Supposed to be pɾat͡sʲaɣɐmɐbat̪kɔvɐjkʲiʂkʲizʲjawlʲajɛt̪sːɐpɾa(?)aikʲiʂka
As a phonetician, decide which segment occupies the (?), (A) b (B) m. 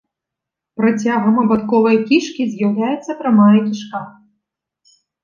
B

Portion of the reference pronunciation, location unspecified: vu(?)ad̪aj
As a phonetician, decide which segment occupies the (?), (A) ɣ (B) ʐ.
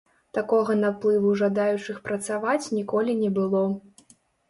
B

